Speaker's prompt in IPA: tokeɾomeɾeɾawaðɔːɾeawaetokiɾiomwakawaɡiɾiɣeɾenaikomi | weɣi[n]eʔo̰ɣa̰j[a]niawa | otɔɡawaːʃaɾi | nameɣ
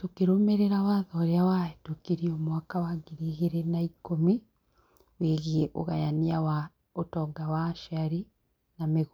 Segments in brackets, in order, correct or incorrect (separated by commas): incorrect, correct